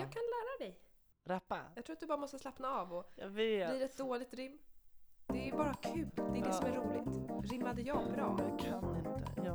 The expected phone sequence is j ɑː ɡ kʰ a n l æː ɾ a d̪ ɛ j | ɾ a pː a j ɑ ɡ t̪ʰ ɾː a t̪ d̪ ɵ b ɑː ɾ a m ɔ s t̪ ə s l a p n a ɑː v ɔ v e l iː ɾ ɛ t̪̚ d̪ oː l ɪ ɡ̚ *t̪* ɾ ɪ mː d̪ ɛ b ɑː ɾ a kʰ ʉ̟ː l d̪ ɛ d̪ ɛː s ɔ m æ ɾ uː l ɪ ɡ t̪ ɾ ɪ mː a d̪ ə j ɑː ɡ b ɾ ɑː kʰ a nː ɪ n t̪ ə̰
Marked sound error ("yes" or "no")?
no